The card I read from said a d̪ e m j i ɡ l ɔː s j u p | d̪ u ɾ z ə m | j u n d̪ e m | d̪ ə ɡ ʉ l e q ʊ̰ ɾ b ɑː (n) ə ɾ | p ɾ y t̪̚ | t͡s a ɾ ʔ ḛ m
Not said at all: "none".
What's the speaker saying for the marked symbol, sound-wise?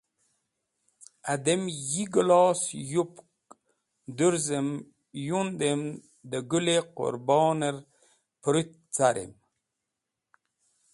n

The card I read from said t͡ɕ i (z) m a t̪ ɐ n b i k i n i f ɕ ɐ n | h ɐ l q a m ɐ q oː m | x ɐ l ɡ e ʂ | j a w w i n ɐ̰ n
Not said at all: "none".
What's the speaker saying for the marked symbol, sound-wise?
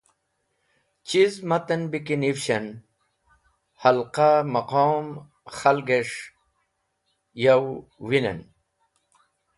z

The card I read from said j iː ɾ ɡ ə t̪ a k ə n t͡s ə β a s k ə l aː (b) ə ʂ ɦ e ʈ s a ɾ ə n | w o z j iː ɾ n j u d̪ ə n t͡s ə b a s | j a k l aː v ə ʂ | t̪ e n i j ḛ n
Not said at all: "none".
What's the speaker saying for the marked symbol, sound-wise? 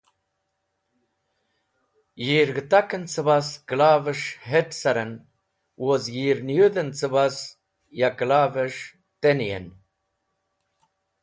v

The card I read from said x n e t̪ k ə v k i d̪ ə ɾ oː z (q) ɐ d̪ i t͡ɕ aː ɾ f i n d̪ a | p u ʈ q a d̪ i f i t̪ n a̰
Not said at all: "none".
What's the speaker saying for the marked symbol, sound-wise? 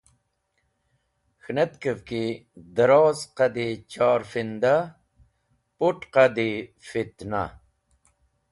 q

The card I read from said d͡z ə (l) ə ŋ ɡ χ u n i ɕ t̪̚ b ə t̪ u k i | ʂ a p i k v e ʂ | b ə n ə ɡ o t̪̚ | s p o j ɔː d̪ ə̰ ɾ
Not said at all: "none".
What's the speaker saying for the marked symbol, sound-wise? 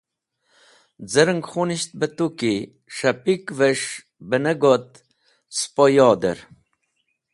ɾ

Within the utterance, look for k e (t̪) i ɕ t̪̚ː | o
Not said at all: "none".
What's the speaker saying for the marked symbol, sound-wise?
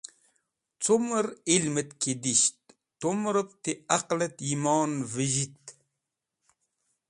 d̪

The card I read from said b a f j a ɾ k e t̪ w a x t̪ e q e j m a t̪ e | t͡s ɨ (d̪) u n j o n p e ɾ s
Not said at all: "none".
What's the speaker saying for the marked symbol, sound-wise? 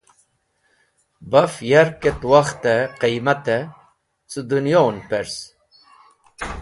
d̪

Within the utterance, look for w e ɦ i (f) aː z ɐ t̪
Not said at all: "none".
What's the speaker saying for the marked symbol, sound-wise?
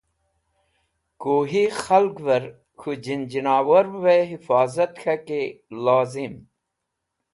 f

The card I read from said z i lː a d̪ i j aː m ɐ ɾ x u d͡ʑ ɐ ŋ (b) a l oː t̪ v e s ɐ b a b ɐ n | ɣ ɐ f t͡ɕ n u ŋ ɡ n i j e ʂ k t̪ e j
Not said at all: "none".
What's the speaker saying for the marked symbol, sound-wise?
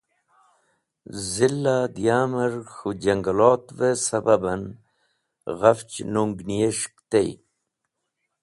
ɡ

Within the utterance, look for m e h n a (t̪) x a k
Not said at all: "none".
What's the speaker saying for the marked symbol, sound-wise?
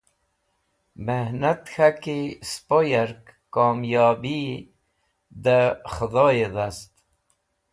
t̪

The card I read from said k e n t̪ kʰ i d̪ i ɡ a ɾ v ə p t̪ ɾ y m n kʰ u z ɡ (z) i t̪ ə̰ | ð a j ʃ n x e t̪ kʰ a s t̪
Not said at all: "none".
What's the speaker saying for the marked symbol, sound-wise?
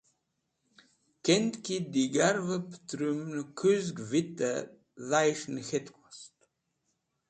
v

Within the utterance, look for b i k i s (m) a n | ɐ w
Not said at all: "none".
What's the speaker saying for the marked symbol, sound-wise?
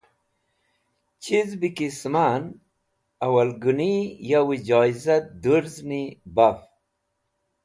m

